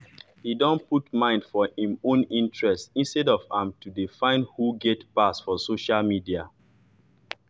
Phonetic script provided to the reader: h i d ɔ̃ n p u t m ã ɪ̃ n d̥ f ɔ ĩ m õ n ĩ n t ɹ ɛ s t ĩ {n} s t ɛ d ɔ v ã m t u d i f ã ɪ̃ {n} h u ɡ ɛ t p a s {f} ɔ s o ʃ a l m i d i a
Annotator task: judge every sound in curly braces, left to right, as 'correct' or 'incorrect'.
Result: correct, correct, correct

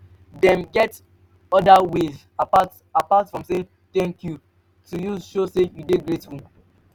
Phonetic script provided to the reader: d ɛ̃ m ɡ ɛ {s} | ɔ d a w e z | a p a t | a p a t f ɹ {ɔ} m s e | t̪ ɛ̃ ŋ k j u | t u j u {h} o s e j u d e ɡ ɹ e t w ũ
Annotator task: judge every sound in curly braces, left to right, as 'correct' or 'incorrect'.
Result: incorrect, incorrect, incorrect

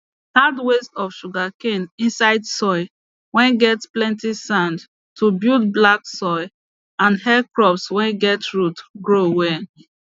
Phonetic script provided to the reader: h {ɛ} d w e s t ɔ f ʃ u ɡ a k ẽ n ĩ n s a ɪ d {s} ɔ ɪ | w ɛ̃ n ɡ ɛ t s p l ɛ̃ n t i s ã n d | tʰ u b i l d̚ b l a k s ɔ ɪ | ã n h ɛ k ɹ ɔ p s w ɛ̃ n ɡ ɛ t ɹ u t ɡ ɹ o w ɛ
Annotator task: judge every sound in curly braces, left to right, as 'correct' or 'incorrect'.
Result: incorrect, correct

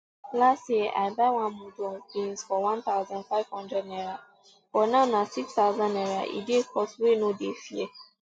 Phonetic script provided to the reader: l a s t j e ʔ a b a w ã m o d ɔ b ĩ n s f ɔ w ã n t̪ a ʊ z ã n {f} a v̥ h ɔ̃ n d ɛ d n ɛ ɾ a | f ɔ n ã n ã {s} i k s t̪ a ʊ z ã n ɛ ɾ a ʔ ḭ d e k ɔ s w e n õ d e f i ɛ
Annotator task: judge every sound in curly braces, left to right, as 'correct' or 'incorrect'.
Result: correct, correct

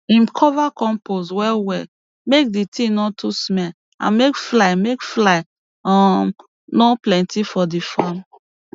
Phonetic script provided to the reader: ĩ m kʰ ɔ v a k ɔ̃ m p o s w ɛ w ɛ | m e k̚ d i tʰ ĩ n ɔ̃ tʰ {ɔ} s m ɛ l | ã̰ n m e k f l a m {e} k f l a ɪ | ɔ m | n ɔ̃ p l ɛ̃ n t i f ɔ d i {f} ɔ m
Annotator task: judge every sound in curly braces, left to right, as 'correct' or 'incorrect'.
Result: incorrect, correct, correct

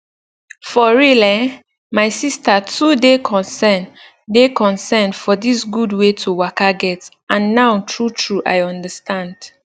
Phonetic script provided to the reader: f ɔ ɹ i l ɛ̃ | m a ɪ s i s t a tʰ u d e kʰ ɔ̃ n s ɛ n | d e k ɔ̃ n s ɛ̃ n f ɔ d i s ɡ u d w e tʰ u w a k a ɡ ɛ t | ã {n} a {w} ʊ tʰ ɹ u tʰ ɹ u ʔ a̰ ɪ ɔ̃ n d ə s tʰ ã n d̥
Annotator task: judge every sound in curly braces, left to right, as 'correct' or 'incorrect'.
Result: incorrect, incorrect

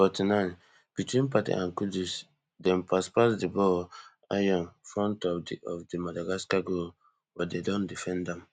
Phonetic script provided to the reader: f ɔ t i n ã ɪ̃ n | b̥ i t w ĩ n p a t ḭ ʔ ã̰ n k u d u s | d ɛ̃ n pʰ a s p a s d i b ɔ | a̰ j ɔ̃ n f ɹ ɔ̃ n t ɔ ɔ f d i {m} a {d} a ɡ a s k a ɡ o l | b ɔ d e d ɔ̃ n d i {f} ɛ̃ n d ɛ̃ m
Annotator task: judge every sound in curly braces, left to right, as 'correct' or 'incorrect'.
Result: correct, correct, correct

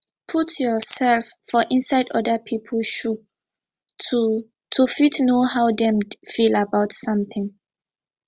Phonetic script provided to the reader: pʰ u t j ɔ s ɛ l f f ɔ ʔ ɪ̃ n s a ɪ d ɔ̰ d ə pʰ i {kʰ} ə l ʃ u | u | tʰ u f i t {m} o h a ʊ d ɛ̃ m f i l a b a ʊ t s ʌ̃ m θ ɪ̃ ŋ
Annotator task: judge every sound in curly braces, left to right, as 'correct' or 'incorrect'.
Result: incorrect, incorrect

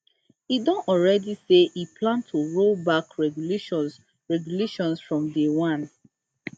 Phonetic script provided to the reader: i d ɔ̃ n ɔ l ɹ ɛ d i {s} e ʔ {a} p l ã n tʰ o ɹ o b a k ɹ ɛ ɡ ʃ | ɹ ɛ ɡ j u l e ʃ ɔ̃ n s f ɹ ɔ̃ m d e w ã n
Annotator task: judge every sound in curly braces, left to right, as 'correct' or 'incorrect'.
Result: correct, incorrect

